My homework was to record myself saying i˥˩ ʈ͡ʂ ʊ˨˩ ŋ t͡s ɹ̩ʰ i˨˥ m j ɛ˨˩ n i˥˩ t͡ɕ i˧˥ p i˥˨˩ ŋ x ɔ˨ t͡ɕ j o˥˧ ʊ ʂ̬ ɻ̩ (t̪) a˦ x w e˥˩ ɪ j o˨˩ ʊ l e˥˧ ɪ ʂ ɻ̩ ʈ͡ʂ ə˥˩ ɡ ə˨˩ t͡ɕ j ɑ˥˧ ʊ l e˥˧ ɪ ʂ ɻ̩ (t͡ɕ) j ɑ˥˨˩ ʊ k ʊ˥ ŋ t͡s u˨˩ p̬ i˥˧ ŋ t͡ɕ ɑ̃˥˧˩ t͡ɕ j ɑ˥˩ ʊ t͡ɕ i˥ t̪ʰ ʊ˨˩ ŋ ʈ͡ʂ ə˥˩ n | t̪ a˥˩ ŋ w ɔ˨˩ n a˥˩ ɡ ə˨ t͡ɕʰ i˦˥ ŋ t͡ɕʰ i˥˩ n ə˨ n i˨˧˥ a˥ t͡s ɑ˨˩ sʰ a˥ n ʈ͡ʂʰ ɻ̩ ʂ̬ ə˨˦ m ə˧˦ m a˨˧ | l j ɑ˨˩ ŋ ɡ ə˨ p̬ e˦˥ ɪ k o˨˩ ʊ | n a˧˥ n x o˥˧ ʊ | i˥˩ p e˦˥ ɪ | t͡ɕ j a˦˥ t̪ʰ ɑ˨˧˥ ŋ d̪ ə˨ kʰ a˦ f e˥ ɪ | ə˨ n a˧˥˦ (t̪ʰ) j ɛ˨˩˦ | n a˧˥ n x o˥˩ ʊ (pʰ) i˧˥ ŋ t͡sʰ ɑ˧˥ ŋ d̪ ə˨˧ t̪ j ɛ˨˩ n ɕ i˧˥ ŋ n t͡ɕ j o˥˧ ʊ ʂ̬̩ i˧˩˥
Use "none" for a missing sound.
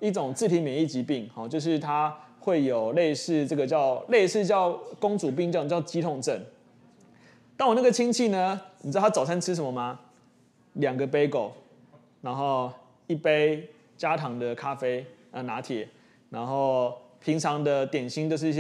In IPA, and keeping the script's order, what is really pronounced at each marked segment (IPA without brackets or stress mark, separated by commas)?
t̪ʰ, t͡ɕ, t̪ʰ, pʰ